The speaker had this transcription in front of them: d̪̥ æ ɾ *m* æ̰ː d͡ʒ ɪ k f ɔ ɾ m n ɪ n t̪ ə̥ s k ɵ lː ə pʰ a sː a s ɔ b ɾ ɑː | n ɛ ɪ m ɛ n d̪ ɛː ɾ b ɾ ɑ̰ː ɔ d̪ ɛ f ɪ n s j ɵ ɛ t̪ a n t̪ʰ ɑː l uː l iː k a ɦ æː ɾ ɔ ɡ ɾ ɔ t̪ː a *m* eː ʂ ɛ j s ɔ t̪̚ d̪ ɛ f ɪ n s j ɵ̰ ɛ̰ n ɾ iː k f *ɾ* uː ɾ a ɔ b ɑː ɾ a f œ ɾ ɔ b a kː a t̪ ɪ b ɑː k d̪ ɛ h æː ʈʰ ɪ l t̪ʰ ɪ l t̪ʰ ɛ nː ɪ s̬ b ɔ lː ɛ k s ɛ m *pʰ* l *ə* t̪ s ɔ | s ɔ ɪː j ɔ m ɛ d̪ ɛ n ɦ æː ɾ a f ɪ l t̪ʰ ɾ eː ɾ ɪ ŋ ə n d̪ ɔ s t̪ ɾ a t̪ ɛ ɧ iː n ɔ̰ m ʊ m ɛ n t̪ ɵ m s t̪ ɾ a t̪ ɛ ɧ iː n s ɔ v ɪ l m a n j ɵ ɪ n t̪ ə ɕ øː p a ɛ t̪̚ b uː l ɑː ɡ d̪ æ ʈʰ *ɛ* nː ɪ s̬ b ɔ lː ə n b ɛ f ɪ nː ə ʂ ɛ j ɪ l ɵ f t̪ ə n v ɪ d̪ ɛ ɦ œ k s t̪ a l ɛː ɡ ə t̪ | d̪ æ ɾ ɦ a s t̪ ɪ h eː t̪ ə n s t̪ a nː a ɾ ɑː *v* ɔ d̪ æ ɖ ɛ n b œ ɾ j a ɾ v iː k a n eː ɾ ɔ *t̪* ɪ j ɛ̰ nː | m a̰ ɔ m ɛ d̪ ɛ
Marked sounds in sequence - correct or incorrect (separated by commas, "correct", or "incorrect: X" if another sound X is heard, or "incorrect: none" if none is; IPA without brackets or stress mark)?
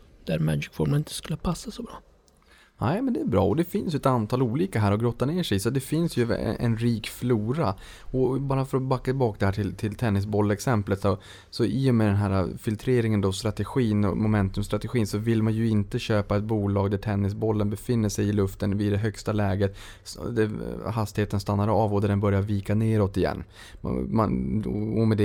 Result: correct, incorrect: n, incorrect: l, incorrect: p, correct, correct, correct, correct